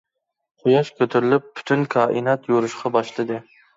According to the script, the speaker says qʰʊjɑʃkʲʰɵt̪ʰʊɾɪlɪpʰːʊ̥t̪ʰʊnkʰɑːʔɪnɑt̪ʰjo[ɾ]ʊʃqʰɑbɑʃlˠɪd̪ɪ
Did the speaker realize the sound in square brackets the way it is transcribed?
yes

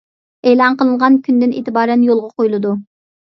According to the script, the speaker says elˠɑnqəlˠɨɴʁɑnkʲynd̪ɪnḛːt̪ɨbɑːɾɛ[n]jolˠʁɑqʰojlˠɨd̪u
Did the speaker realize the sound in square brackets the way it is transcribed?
yes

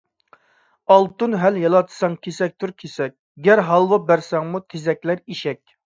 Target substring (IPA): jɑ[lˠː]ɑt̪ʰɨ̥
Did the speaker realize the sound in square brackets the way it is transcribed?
no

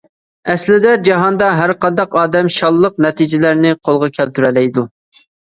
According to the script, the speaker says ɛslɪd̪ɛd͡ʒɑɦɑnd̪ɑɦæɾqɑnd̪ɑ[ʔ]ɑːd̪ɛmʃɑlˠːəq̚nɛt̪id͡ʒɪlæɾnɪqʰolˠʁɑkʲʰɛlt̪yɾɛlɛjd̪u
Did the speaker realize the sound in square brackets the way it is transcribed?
no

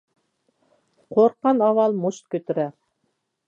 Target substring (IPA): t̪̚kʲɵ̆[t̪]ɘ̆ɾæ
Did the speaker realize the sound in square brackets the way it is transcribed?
yes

